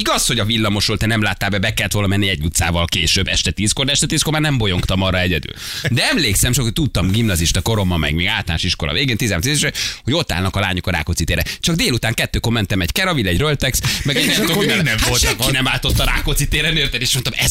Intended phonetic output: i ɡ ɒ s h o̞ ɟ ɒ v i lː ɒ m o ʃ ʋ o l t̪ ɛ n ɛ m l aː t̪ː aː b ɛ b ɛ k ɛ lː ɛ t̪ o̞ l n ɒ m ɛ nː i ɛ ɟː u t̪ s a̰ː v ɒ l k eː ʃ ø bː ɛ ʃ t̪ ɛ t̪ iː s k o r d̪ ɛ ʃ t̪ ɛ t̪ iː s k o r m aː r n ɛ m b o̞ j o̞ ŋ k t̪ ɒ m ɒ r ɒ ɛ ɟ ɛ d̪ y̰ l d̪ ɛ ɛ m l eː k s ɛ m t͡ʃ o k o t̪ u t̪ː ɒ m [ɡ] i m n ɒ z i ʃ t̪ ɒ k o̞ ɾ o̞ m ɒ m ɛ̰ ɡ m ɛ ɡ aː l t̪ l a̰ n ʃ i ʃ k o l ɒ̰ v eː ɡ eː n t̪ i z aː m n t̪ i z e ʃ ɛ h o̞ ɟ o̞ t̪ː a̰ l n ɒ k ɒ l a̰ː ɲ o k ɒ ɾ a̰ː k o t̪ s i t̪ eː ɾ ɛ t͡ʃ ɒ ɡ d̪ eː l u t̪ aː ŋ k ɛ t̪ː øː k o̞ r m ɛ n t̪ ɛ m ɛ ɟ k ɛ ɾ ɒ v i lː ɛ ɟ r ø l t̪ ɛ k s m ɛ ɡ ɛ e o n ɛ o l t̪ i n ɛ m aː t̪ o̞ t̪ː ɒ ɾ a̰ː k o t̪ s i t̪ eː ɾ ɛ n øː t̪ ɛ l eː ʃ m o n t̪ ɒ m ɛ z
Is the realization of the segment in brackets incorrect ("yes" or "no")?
no